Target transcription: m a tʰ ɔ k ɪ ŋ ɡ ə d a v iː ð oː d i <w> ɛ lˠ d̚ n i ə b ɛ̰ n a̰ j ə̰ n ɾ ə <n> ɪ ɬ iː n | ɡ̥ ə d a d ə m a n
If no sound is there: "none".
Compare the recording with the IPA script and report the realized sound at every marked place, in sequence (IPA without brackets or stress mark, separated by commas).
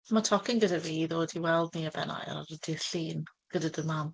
w, d